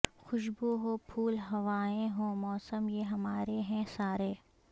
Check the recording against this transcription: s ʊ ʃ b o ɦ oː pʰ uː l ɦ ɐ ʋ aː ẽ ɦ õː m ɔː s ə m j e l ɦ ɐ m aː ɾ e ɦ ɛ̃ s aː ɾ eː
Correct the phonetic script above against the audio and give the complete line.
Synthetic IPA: x ʊ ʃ b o ɦ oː pʰ uː l ɦ ɐ ʋ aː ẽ ɦ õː m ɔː s ə m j e ɦ ɐ m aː ɾ e ɦ ɛ̃ s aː ɾ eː

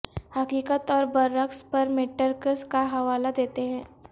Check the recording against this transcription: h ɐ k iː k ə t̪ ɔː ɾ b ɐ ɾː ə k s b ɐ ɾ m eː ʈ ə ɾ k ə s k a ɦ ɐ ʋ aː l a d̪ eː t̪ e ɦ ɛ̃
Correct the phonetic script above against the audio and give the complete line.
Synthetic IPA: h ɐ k iː k ə t̪ ɔː ɾ b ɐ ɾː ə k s p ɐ ɾ m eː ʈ ə ɾ k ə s k a ɦ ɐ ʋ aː l a d̪ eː t̪ e ɦ ɛ̃ː

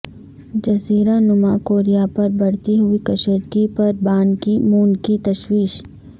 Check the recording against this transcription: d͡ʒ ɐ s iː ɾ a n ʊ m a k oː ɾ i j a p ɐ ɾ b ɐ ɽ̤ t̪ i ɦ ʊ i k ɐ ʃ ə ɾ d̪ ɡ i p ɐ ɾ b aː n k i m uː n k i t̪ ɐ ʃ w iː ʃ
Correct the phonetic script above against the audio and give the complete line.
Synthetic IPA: d͡ʒ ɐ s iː ɾ a n ʊ m a k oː ɾ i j a p ɐ ɾ b ɐ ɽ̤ t̪ i ɦ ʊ i k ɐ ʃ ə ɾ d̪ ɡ i p ɐ ɾ b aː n k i m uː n k i t̪ ɐ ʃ w iː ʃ

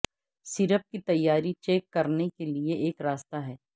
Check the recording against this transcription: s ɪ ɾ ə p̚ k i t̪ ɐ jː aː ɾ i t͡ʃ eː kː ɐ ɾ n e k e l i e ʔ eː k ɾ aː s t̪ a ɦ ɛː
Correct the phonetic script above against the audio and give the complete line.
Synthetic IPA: s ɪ ɾ ə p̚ k i t̪ ɐ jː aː ɾ i t͡ʃ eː kː ɐ ɾ n e k e l i e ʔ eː k ɾ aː s t̪ a ɦ ɛː

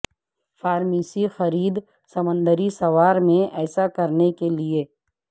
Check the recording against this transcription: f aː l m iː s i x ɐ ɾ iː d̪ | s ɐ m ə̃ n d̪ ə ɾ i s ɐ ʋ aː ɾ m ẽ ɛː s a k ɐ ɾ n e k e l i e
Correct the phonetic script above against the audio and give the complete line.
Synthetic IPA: f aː ɾ m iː s i x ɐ ɾ iː d̪ | s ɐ m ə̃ n d̪ ə ɾ i s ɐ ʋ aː ɾ m ẽ ɛː s a k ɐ ɾ n e k e l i e

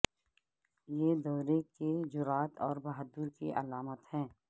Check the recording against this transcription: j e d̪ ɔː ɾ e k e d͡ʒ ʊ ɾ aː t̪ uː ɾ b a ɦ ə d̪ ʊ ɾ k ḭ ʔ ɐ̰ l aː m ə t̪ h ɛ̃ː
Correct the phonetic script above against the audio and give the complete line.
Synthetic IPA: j e d̪ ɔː ɾ e k e d͡ʒ ʊ ɾ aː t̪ ɔː ɾ b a ɦ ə d̪ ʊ ɾ k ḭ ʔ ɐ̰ l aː m ə t̪ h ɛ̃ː

